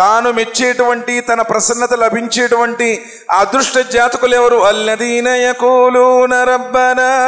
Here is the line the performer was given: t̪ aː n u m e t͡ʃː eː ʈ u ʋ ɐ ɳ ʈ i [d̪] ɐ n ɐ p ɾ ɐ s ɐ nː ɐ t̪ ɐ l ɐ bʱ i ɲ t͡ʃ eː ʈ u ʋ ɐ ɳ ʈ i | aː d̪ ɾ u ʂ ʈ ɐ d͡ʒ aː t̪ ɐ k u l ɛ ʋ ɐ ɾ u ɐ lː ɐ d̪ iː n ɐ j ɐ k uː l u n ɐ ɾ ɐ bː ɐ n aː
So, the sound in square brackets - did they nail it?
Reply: no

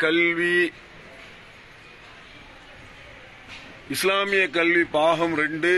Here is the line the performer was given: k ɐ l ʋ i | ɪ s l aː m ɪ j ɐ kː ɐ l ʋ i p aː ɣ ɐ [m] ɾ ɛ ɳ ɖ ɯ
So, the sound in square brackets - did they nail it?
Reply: yes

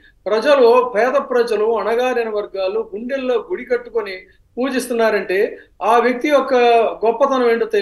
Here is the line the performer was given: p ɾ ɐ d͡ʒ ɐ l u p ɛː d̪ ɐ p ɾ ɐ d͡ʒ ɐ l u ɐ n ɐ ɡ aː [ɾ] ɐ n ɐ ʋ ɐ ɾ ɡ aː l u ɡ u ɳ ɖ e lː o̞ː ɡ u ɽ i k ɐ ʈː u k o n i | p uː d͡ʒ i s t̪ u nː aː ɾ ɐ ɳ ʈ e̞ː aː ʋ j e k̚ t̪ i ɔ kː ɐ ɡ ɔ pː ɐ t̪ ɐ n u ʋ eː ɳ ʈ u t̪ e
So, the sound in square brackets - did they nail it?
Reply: yes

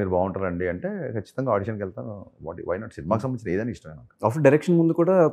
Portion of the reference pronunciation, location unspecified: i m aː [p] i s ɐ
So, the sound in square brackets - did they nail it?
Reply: no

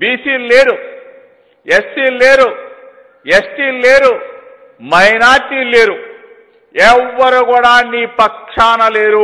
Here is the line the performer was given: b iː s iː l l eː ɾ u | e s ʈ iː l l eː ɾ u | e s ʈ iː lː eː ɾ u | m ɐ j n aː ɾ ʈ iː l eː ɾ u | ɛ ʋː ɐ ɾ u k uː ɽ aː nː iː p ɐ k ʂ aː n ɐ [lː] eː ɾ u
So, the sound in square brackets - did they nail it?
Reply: no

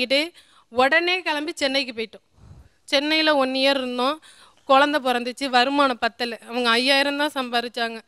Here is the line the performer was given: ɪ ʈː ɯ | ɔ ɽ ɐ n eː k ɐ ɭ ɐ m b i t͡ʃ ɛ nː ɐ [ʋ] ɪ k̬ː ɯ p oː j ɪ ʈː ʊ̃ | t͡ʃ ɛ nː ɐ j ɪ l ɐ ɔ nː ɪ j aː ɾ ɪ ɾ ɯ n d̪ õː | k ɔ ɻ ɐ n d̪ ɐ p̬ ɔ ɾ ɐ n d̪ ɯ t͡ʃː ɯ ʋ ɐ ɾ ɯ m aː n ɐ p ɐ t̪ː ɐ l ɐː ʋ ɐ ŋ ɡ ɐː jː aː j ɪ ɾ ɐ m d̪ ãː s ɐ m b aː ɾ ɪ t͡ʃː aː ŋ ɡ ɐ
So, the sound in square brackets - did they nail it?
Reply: no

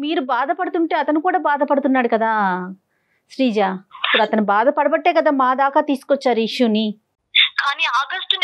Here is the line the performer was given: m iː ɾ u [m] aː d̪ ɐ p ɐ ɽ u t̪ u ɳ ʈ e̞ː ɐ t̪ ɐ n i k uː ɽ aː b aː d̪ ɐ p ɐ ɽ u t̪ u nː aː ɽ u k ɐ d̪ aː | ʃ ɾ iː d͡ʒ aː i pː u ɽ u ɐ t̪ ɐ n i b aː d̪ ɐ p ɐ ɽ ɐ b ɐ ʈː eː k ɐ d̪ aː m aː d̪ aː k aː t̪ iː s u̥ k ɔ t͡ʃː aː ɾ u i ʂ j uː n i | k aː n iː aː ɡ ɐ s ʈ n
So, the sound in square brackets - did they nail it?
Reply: no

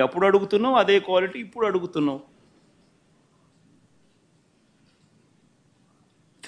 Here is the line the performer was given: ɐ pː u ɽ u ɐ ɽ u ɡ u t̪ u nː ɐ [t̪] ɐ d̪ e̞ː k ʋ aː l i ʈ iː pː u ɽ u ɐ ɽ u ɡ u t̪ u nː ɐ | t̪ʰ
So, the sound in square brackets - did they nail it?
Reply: no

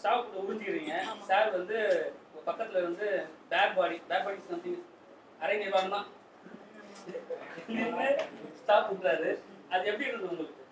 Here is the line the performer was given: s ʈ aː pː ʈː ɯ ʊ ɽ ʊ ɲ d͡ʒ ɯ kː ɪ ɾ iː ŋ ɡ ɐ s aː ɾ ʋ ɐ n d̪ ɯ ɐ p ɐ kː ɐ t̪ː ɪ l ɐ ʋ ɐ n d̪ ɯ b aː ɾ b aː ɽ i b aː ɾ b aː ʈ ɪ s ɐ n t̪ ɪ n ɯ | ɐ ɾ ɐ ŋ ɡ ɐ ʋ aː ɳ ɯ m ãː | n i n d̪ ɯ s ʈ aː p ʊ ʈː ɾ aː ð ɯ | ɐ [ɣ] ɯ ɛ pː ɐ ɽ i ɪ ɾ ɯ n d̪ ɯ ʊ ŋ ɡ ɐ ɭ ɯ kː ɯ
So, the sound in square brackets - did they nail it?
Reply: no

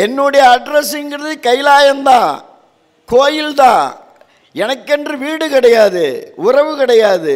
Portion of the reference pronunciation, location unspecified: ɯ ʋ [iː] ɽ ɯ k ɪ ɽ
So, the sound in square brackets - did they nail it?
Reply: yes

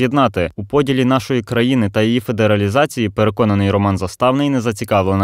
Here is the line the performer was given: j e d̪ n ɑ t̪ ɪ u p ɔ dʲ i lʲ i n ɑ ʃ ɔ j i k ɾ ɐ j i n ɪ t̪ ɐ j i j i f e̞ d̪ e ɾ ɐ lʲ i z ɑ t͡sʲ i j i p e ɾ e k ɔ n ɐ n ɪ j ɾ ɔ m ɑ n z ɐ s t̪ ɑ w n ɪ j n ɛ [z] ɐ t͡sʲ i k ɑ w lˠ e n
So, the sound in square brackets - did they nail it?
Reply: yes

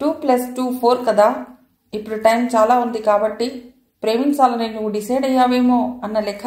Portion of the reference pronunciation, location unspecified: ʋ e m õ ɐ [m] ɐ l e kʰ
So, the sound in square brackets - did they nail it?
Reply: no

